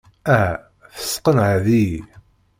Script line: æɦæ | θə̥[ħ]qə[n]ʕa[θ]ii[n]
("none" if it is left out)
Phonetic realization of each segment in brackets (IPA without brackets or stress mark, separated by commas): s, n, ð, none